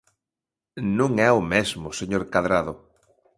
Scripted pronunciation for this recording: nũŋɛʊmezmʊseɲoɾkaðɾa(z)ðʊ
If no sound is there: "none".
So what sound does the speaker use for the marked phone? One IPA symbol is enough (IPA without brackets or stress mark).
none